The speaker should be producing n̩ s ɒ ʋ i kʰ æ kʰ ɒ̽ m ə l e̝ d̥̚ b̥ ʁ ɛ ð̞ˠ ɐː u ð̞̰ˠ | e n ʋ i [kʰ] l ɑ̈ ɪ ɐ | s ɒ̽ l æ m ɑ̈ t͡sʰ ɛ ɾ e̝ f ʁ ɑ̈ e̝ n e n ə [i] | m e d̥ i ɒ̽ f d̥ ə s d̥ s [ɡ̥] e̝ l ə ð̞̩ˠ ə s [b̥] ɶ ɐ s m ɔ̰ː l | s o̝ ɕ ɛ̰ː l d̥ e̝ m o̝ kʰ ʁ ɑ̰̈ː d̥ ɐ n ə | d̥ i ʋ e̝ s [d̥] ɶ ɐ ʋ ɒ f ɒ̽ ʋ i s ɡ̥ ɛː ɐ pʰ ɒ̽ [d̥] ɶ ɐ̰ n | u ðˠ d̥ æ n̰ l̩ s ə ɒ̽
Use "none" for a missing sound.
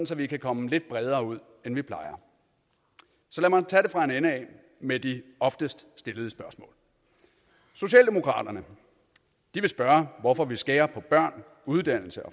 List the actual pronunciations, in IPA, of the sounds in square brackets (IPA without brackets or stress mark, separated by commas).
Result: pʰ, ɛ, d̥, b̥, b̥, b̥